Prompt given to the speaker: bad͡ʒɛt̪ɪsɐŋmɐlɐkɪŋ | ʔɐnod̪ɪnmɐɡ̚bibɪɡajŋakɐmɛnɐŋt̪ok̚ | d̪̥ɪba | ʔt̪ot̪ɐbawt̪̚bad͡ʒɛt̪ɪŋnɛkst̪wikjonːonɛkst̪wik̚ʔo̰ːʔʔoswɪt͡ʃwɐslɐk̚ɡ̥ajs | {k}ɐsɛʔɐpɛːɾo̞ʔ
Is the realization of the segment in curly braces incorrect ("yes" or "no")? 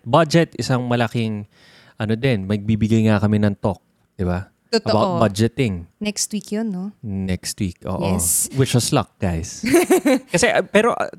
no